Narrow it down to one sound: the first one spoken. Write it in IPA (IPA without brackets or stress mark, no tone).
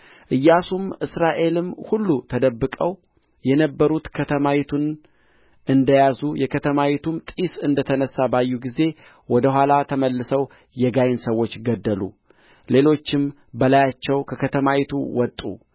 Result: ʔ